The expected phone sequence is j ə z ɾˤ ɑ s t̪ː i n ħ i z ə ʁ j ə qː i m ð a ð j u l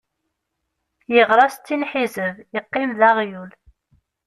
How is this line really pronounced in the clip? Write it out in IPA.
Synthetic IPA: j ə ʁ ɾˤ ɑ s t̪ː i n ħ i z ə v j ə qː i m ð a ʁ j u l